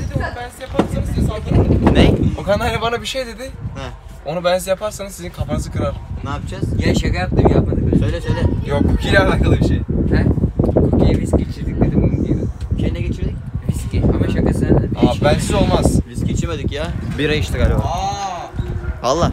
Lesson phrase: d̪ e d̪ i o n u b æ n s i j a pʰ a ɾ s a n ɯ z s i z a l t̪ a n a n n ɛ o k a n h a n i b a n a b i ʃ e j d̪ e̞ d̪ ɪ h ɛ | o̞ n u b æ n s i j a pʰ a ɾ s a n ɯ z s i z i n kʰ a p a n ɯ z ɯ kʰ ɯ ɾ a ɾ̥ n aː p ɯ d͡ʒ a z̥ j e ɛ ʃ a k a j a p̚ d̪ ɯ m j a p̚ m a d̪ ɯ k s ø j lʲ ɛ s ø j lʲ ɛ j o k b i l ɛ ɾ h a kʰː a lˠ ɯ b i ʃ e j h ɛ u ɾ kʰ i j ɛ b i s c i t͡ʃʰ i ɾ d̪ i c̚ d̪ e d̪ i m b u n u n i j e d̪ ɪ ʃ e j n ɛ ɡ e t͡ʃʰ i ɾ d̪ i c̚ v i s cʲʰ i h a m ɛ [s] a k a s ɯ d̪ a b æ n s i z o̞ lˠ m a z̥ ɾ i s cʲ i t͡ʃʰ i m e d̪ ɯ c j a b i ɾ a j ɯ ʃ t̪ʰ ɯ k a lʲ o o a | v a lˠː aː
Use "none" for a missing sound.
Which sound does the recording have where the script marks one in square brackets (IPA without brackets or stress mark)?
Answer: ʃ